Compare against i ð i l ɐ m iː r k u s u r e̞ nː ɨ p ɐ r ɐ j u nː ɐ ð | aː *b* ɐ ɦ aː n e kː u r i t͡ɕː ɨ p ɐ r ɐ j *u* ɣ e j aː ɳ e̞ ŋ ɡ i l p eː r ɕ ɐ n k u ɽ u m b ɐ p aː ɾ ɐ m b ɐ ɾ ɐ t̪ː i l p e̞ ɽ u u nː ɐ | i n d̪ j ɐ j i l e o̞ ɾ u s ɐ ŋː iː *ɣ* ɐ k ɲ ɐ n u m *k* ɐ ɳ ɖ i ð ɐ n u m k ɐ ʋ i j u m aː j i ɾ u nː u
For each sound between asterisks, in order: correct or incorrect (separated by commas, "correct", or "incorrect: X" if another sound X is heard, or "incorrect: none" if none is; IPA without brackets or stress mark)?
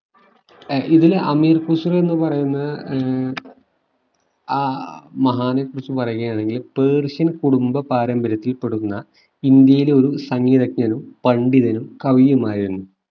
incorrect: m, correct, incorrect: ð, incorrect: p